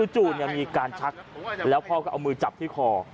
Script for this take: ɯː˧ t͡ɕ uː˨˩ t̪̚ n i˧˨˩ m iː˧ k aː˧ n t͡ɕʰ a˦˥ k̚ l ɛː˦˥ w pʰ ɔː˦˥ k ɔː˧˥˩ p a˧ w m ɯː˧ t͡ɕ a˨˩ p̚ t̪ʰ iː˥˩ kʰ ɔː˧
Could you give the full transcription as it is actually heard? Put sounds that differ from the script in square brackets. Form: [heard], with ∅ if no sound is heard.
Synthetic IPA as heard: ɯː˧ t͡ɕ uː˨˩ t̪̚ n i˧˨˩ m iː˧ k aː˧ n t͡ɕʰ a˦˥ k̚ l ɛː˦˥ w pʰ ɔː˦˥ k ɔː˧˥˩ [ʔ] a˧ w m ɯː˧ t͡ɕ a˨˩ p̚ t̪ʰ iː˥˩ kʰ ɔː˧